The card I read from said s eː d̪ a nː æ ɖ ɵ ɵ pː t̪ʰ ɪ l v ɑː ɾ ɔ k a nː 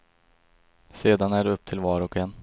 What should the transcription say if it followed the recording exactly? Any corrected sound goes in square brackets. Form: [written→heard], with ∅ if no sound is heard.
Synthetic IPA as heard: s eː d̪ a [nː→n] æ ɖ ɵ ɵ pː t̪ʰ ɪ l v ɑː ɾ ɔ k [a→ɛ] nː